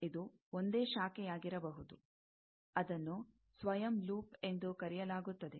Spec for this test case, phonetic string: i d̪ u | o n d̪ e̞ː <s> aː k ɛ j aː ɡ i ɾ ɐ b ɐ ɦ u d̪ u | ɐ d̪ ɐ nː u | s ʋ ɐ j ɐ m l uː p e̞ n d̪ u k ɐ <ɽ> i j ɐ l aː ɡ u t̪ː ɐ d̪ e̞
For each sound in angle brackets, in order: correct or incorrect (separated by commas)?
incorrect, incorrect